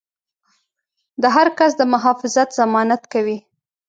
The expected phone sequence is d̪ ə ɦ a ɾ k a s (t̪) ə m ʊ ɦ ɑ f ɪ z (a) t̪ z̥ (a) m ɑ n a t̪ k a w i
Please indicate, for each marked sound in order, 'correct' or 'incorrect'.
incorrect: d̪, correct, correct

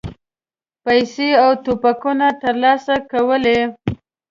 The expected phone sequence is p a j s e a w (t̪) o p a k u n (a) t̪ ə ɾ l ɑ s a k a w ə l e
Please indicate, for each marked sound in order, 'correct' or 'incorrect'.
correct, correct

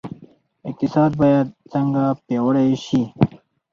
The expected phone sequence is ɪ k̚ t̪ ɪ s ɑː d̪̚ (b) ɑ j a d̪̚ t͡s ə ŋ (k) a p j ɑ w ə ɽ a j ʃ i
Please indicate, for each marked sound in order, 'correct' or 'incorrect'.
correct, incorrect: ɡ

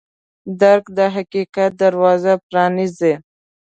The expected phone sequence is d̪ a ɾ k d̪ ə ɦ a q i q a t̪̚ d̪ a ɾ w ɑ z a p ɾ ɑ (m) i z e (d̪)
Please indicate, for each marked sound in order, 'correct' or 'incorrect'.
incorrect: n, incorrect: none

